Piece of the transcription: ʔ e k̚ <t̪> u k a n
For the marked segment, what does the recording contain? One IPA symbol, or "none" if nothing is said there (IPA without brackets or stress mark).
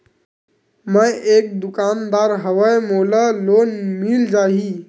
d̪